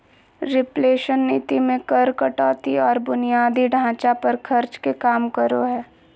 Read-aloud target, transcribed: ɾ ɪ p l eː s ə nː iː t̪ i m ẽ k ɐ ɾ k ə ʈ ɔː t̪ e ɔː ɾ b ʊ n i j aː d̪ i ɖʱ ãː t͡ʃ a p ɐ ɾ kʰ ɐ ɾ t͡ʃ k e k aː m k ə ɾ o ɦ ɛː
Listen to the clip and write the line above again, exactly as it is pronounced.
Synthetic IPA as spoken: ɾ ɪ p l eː ʃ ə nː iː t̪ i m ẽ k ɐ ɾ k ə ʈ ɔː t̪ i ɔː ɾ b ʊ n i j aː d̪ i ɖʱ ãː t͡ʃ a p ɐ ɾ kʰ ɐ ɾ t͡ʃ k e k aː m k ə ɾ o ɦ ɛː